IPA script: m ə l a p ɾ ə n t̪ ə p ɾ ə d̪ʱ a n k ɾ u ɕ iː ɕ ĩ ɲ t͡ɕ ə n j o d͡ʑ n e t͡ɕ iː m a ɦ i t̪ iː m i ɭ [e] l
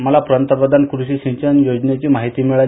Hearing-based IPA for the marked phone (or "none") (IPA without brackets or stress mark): a